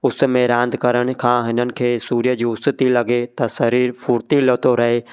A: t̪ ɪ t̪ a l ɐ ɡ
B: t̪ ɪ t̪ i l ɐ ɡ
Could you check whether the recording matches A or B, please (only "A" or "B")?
B